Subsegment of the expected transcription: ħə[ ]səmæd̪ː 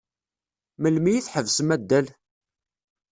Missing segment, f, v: v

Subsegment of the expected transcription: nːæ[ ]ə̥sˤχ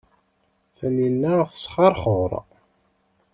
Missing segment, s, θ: θ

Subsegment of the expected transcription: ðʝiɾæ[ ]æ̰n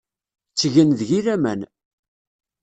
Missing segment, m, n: m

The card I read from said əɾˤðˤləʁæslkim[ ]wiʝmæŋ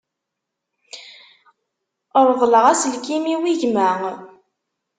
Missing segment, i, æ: i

